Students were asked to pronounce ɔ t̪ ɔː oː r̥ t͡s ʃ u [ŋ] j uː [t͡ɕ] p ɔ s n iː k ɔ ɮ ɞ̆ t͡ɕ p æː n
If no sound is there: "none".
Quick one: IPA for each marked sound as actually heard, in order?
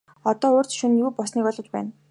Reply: n, none

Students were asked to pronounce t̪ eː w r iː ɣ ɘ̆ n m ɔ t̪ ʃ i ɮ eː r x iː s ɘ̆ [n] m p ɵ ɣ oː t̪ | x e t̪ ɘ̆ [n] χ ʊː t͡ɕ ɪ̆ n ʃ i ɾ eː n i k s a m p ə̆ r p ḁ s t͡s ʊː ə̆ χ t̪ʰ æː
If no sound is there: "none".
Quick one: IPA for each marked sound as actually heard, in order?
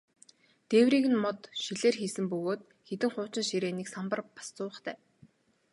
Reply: none, ŋ

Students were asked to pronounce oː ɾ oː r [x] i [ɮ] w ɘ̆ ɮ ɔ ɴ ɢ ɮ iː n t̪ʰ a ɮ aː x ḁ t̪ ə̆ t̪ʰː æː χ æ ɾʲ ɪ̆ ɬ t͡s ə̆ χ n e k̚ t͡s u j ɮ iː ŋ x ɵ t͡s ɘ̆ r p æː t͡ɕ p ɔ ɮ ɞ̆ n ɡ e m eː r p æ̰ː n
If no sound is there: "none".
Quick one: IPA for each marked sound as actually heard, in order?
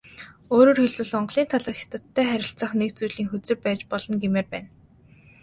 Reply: x, ɮ

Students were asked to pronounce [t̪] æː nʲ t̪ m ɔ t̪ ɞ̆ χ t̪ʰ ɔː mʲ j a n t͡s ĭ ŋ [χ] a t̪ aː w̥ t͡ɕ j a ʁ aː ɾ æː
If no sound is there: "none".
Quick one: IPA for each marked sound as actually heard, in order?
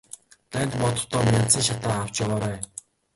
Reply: t̪, ʃ

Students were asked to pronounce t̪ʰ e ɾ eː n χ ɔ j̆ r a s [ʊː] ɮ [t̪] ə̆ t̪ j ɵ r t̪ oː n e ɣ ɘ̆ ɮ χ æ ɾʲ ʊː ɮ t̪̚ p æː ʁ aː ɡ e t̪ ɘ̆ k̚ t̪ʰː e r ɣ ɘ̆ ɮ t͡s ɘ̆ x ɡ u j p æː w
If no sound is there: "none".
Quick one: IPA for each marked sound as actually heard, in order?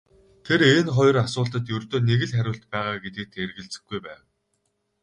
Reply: ʊː, t̪

